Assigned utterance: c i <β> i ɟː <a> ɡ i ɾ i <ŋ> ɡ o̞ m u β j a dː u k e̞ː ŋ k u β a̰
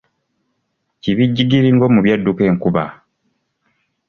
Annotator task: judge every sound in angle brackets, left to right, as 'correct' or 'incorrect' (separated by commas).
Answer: correct, incorrect, correct